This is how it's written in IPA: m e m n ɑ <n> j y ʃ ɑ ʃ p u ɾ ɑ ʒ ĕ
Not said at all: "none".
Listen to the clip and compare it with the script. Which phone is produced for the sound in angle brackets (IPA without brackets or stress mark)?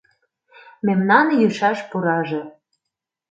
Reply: n